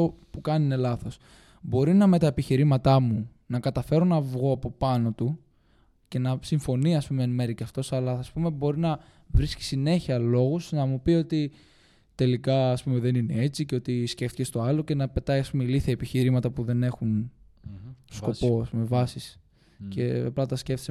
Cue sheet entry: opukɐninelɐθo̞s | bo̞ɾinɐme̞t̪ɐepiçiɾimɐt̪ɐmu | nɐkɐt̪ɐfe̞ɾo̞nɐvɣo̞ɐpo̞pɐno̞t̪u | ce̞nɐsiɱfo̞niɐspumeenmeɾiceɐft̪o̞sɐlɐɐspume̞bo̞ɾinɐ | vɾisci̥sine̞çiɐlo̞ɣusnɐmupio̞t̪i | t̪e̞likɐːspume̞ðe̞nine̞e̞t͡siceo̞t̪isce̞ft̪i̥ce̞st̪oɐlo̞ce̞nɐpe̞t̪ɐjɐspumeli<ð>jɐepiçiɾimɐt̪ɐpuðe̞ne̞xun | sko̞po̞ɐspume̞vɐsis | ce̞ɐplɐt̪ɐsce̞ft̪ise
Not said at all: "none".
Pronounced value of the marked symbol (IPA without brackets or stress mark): θ